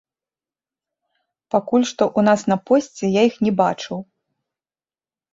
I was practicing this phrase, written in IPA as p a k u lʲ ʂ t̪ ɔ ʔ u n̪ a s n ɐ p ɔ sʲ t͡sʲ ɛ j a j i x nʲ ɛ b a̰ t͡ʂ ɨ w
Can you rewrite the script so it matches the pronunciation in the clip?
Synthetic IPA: p a k u lʲ ʂ t̪ ɔ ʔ u n̪ a s n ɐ p ɔ sʲ t͡sʲ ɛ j a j i x nʲ ɛ b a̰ t͡ʂ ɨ w